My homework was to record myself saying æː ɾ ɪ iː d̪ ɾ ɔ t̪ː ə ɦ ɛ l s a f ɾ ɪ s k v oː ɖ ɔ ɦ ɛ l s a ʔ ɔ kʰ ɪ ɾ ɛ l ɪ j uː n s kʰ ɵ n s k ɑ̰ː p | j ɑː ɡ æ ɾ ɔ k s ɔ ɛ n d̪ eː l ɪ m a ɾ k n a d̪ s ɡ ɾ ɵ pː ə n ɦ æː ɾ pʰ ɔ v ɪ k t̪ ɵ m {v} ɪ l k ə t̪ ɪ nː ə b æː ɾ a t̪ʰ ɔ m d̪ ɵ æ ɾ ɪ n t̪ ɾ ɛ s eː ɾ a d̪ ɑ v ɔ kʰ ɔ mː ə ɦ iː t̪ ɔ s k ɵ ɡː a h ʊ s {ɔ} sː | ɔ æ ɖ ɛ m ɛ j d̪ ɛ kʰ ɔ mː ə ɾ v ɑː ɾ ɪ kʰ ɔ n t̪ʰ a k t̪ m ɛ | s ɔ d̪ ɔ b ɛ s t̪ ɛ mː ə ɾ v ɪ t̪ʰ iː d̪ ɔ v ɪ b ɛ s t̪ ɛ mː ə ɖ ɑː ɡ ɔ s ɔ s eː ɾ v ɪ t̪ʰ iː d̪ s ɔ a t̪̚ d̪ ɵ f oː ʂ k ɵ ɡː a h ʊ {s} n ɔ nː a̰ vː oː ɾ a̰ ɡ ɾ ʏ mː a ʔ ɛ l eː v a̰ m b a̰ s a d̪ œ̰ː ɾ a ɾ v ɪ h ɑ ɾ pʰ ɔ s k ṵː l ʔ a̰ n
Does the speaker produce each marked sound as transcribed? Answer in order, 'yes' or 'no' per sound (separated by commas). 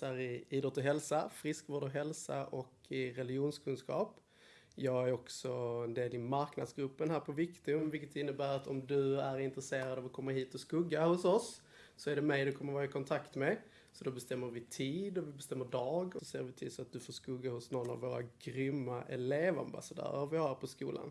yes, yes, yes